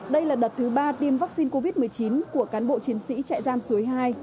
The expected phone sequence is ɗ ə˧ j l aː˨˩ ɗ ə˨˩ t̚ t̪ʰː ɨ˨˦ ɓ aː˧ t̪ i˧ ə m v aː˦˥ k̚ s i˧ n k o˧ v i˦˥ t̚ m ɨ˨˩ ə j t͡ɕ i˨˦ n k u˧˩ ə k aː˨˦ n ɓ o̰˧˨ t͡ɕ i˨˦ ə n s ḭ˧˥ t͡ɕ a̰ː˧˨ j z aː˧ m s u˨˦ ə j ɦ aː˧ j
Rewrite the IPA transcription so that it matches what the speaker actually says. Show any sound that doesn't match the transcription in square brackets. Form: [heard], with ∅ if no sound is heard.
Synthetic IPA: ɗ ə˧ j l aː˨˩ ɗ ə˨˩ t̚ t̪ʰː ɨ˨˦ ɓ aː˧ t̪ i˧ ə m v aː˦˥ k̚ s i˧ n k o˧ v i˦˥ t̚ m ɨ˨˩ ə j t͡ɕ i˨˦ n k u˧˩ ə k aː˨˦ n ɓ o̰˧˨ t͡ɕ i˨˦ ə n s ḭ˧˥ t͡ɕ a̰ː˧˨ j z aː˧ m s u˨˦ ə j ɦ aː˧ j